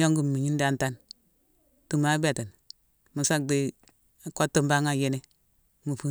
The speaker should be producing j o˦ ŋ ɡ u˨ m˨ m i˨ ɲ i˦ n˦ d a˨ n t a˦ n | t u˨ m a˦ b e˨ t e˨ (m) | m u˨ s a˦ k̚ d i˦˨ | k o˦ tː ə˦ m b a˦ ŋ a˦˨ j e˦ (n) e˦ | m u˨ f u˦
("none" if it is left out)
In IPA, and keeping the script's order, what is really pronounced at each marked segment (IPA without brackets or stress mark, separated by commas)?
n, n